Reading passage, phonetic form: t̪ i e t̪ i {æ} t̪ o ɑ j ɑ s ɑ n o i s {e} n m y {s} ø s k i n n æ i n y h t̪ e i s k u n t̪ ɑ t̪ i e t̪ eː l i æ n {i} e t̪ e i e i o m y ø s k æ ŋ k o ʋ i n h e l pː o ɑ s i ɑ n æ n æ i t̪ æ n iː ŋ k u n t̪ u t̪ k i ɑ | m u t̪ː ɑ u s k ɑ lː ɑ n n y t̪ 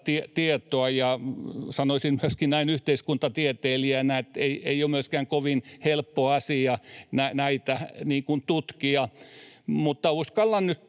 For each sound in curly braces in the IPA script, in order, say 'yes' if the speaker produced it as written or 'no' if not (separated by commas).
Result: no, no, no, no